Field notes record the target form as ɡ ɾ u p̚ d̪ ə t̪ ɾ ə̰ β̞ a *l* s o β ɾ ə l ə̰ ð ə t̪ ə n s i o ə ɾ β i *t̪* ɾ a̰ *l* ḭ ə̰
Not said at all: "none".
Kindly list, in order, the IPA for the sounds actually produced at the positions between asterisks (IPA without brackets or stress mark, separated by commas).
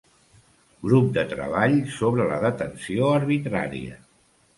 ʎ, t̪, ɾ